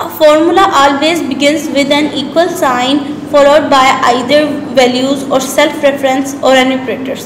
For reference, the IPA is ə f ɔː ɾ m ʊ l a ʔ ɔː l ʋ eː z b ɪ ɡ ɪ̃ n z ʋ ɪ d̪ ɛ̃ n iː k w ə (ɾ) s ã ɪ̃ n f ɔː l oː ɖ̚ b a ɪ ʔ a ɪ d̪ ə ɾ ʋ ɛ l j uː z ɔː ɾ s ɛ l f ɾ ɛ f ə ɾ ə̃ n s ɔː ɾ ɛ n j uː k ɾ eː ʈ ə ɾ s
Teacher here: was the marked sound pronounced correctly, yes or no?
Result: no